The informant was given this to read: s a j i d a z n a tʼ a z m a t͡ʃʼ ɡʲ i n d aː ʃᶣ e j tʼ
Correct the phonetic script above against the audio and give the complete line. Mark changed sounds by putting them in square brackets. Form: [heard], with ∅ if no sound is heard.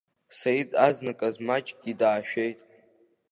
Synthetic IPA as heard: s a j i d a z n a [kʼ] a z m a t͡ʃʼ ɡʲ i [∅] d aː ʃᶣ e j tʼ